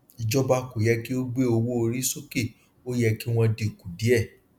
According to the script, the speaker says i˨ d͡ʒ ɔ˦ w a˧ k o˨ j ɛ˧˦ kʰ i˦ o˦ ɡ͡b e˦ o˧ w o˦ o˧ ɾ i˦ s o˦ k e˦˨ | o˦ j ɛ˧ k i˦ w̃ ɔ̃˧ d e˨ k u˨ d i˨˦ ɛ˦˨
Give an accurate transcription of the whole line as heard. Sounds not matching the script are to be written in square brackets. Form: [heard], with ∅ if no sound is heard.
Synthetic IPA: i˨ d͡ʒ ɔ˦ [b] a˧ k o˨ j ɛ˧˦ [k] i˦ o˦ ɡ͡b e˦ o˧ w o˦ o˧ ɾ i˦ s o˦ k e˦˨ | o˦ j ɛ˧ k i˦ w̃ ɔ̃˧ d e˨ k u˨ d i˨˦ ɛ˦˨